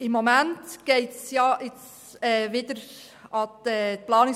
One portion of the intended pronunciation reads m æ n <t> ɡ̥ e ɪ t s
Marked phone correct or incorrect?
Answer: correct